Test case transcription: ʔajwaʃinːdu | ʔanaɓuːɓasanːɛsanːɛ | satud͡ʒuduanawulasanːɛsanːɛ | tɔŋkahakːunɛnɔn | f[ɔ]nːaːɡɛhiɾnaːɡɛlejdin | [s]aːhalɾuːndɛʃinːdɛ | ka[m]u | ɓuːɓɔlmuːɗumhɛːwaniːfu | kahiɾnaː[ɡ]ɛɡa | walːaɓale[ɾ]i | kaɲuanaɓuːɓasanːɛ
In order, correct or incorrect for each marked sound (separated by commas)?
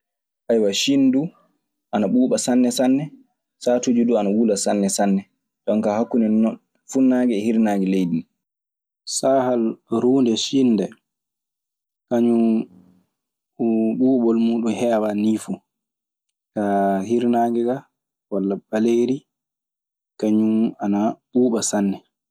incorrect, correct, incorrect, correct, correct